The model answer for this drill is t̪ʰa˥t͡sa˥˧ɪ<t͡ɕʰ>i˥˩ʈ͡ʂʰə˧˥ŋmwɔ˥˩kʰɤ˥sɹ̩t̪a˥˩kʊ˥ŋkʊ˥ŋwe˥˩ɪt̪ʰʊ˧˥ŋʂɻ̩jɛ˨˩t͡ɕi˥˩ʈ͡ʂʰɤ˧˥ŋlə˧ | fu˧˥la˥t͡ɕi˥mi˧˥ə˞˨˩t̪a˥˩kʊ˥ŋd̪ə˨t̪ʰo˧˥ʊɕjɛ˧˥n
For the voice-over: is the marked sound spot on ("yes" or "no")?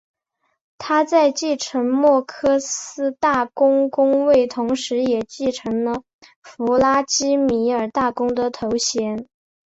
no